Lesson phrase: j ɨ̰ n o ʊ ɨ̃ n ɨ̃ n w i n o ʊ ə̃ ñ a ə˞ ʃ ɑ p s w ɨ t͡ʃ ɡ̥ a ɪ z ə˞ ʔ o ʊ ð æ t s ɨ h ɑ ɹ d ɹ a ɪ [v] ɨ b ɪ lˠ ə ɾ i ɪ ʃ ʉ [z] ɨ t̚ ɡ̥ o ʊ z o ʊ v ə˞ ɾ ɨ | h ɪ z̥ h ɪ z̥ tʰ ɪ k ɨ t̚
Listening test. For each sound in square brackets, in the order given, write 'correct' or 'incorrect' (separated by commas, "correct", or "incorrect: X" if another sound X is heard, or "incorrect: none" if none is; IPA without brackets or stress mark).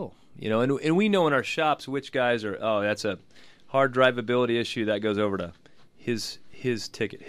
correct, incorrect: ð